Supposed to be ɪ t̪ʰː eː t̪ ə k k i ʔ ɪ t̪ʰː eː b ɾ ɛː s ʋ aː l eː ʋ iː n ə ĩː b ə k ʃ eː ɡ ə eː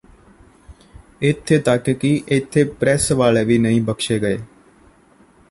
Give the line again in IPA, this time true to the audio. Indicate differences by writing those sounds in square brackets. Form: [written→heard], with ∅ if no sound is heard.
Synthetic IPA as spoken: ɪ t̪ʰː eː t̪ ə k k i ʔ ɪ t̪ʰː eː [b→p] ɾ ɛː s ʋ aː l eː ʋ iː n ə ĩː b ə k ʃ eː ɡ ə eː